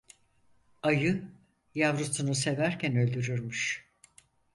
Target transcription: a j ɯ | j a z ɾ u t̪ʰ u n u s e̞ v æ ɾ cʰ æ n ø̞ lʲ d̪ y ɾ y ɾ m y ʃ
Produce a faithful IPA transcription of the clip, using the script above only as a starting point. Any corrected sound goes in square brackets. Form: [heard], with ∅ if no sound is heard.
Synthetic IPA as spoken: a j ɯ | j a [v] ɾ u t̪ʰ u n u s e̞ v æ ɾ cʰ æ n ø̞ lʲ d̪ y ɾ y ɾ m y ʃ